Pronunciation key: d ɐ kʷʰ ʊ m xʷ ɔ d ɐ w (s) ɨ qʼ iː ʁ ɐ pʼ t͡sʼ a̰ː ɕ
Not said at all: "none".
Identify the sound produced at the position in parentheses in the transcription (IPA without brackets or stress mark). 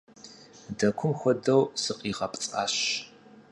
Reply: s